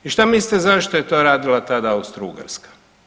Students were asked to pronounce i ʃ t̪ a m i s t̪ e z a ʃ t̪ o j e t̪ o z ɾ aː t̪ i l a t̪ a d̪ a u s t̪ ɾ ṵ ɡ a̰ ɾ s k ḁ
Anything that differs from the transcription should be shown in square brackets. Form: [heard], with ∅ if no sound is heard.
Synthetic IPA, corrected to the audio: i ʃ t̪ a m i s t̪ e z a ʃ t̪ o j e t̪ o [∅] ɾ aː [d̪] i l a t̪ a d̪ a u s t̪ ɾ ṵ ɡ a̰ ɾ s k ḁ